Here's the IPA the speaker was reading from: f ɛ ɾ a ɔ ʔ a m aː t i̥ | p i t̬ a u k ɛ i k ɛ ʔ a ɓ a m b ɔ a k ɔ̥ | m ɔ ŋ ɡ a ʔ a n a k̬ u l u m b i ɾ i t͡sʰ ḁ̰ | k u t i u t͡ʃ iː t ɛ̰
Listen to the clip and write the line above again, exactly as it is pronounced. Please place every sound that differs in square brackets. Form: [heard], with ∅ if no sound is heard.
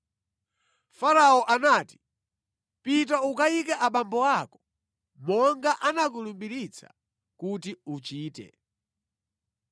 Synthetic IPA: f [a] ɾ a ɔ ʔ a [n] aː t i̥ | p i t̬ a u k [a] i k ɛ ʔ a ɓ a m b ɔ a k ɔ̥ | m ɔ ŋ ɡ a ʔ a n a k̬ u l u m b i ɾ i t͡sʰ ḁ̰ | k u t i u t͡ʃ iː t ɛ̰

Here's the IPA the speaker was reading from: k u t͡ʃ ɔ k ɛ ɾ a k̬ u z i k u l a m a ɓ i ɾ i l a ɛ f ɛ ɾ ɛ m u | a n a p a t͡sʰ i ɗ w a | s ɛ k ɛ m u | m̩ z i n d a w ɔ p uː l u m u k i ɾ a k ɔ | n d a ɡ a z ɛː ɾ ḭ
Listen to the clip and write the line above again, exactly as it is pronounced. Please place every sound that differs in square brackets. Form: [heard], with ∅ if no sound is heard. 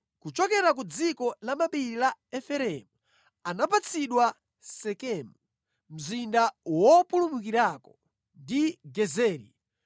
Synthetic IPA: k u t͡ʃ ɔ k ɛ ɾ a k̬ u [d͡z] i k [ɔ] l a m a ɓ i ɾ i l a ɛ f ɛ ɾ ɛ m u | a n a p a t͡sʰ i ɗ w a | s ɛ k ɛ m u | m̩ z i n d a w ɔ p [u] l u m u k i ɾ a k ɔ | n d [i] ɡ [ɛ] z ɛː ɾ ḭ

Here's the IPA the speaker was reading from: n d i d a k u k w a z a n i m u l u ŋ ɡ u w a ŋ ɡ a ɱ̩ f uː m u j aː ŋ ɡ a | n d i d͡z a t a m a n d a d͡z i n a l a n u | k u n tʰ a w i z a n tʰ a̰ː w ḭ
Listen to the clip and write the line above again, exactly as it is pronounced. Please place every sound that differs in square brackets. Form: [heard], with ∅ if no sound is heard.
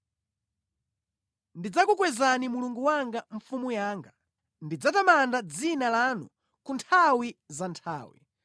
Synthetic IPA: n d i [d͡z] a k u k w [ɛ] z a n i m u l u ŋ ɡ u w a ŋ ɡ a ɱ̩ f [u] m u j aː ŋ ɡ a | n d i d͡z a t a m a n d a d͡z i n a l a n u | k u n tʰ a w i z a n tʰ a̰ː w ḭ

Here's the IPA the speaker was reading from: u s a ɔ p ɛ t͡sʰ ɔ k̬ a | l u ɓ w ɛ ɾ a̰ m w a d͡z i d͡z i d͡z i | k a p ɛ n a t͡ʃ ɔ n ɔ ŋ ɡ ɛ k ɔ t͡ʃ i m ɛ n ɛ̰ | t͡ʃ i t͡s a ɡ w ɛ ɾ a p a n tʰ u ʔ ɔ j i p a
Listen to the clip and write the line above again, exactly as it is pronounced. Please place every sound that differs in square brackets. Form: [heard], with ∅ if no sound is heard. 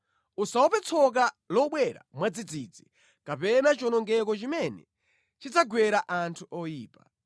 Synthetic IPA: u s a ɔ p ɛ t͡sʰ ɔ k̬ a | l [ɔ] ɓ w ɛ ɾ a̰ m w a d͡z i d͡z i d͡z i | k a p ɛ n a t͡ʃ ɔ n ɔ ŋ ɡ ɛ k ɔ t͡ʃ i m ɛ n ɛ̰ | t͡ʃ i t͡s a ɡ w ɛ ɾ a [ʔ] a n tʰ u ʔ ɔ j [iː] p a

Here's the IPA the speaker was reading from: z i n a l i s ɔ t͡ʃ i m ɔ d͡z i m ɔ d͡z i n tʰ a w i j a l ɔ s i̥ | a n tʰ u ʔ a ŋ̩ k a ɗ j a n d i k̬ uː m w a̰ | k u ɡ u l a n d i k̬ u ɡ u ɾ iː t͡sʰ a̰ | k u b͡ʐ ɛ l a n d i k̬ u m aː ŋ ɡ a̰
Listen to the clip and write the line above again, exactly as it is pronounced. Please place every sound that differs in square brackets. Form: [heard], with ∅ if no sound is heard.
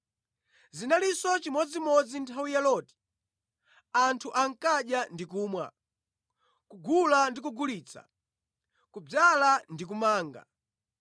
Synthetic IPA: z i n a l i s ɔ t͡ʃ i m ɔ d͡z i m ɔ d͡z i n tʰ a w i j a l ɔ [t] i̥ | a n tʰ u ʔ a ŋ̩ k a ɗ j a n d i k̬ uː m w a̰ | k u ɡ u l a n d i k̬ u ɡ u [l] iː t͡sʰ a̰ | k u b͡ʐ [a] l a n d i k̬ u m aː ŋ ɡ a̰

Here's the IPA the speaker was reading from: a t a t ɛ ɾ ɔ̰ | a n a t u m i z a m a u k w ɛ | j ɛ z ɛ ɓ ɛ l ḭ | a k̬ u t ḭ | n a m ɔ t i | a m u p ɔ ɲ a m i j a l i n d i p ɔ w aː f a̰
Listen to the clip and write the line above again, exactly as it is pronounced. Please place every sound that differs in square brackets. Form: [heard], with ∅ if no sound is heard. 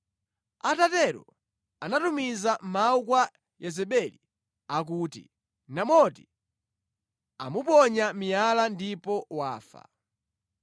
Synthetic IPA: a t a t ɛ ɾ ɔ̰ | a n a t u m i z a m a u k w [a] | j ɛ z ɛ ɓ ɛ l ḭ | a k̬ u t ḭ | n a m ɔ t i | a m u p ɔ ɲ a m i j a l [a] n d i p ɔ w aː f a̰

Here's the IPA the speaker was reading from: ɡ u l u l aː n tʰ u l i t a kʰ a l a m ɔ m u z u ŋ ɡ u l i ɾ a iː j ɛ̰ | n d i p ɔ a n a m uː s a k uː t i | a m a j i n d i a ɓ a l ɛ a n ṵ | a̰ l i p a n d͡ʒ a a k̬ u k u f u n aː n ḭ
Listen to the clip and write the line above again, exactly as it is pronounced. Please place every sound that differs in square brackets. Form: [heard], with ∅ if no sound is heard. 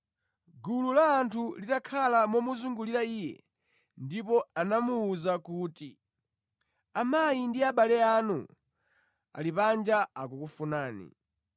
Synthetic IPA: ɡ u l u l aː n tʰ u l i t a kʰ a l a m ɔ m u z u ŋ ɡ u l i ɾ a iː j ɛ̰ | n d i p ɔ a n a m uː [z] a k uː t i | a m a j i n d i a ɓ a l ɛ a n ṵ | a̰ l i p a n d͡ʒ a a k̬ u k u f u n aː n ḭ

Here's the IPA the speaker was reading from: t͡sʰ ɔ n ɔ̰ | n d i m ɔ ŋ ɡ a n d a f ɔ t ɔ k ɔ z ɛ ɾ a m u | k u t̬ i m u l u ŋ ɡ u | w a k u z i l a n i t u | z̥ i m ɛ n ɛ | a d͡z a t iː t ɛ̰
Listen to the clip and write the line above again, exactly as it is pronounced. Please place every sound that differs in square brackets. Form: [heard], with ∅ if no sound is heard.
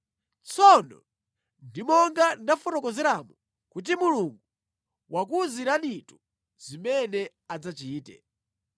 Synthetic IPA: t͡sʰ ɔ n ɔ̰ | n d i m ɔ ŋ ɡ a n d a f ɔ t ɔ k ɔ z ɛ ɾ a m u | k u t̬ i m u l u ŋ ɡ u | w a k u z i [ɾ] a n i t u | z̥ i m ɛ n ɛ | a d͡z a [t͡ʃ] iː t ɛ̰

